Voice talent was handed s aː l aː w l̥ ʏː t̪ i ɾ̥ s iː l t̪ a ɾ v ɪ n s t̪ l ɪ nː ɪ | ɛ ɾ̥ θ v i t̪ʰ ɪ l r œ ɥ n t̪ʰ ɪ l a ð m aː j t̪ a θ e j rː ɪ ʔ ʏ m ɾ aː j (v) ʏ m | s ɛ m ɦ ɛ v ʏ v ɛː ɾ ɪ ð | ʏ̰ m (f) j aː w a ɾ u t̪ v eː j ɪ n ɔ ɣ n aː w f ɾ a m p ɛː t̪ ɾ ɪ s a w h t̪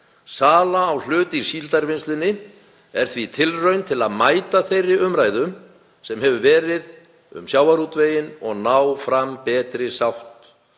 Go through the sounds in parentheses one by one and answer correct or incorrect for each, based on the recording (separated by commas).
incorrect, incorrect